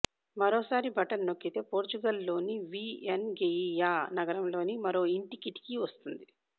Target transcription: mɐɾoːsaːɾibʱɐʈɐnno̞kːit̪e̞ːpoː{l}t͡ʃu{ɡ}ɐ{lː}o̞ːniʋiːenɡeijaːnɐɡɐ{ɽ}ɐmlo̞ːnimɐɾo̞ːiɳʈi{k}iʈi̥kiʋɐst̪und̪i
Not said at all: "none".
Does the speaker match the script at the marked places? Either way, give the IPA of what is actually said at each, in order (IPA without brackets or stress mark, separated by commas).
ɾ, ɡ, lː, ɾ, k